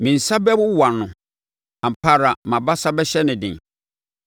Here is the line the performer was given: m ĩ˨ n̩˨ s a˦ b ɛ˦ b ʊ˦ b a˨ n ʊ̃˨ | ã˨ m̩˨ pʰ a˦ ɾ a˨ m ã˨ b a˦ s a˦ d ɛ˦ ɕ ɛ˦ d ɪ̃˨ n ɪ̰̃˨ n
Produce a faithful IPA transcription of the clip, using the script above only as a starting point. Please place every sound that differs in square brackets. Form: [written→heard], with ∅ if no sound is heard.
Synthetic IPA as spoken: m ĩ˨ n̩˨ s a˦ b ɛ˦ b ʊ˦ [b→w] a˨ n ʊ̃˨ | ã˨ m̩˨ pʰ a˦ ɾ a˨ m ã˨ b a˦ s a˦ [d→b] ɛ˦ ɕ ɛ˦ [d→n] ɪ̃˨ [n→d] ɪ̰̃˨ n